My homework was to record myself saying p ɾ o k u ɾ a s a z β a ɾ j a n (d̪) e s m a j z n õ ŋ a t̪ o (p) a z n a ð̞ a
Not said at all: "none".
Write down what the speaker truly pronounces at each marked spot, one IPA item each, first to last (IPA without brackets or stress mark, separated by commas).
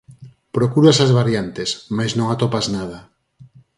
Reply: t̪, p